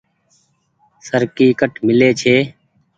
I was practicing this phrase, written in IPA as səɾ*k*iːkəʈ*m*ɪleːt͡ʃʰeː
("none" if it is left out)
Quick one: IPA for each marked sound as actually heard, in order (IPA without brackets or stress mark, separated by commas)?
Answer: k, m